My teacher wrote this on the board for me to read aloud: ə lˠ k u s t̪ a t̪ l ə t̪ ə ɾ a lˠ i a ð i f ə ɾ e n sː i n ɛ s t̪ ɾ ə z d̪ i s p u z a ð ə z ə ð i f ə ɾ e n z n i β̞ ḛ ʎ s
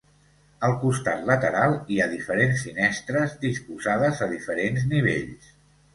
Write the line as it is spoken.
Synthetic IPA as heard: ə lˠ k u s t̪ a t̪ l ə t̪ ə ɾ a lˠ i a ð i f ə ɾ e n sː i n ɛ s t̪ ɾ ə z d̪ i s p u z a ð ə z ə ð i f ə ɾ e n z n i β̞ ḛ ʎ s